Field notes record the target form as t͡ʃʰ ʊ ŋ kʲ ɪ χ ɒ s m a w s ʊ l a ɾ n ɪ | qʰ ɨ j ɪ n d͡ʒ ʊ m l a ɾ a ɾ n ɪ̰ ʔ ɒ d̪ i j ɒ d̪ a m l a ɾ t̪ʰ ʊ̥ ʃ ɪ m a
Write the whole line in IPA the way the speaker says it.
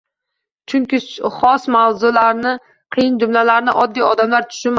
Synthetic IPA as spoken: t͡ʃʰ ʊ ŋ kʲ ɪ χ ɒ s m a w z ʊ l a ɾ n ɪ | qʰ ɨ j ɪ n d͡ʒ ʊ m l a l a ɾ n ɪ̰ ʔ ɒ d̪ː i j ɒ d̪ a m l a ɾ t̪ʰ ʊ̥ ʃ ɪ m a